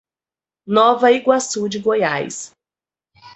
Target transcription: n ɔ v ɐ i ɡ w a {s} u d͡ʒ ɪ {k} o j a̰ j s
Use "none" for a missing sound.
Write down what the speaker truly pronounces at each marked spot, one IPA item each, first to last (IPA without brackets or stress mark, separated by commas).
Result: s, ɡ